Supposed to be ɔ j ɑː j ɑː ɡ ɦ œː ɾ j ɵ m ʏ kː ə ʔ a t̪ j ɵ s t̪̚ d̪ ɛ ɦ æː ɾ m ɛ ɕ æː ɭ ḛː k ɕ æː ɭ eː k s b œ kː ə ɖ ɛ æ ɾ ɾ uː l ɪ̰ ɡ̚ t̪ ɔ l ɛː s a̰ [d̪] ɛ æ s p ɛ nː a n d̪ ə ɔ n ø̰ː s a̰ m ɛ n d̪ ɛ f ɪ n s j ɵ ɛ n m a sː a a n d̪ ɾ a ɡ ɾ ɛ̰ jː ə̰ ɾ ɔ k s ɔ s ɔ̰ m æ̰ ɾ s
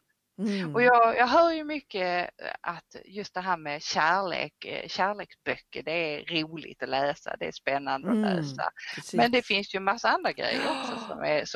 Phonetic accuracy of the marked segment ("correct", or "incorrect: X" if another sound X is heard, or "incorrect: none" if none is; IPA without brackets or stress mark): correct